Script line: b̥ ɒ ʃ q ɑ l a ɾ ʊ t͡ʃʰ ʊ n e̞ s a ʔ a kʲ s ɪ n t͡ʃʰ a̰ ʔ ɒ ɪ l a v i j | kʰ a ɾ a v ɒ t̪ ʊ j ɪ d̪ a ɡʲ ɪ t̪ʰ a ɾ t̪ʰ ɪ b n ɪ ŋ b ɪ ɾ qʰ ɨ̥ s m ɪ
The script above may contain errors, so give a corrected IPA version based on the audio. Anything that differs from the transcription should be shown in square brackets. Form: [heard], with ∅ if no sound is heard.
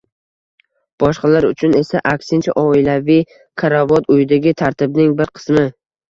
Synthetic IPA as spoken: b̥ ɒ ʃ q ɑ l a ɾ ʊ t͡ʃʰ ʊ n e̞ s a ʔ a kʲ s ɪ n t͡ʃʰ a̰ ʔ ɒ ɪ l a v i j | kʰ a ɾ a v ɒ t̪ ʊ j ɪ d̪ a ɡʲ ɪ t̪ʰ a ɾ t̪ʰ ɪ b n ɪ ŋ b ɪ ɾ qʰ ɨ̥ s m ɪ